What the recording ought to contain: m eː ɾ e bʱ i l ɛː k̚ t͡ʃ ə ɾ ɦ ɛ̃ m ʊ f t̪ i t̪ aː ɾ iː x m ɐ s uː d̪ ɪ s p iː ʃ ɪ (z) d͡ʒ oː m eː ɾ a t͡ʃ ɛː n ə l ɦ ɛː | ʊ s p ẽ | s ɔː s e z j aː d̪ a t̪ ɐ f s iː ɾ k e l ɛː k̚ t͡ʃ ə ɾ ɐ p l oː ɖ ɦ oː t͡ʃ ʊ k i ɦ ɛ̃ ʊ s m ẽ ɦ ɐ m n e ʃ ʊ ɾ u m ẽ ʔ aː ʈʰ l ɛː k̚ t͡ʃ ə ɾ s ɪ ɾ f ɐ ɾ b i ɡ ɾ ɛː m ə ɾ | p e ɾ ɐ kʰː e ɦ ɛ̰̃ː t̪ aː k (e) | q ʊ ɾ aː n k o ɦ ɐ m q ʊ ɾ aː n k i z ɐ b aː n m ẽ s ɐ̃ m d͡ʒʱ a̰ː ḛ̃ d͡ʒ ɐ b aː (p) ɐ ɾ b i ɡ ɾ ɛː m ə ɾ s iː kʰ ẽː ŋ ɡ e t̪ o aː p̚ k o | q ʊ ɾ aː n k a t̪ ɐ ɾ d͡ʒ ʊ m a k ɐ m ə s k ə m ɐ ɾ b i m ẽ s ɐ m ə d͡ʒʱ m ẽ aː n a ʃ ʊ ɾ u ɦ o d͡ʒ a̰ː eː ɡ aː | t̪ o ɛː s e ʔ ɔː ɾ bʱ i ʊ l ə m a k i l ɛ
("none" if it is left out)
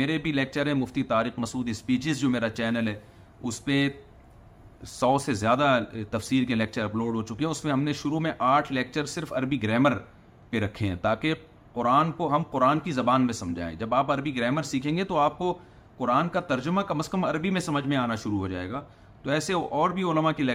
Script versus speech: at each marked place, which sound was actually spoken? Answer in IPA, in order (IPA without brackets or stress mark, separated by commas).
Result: z, e, p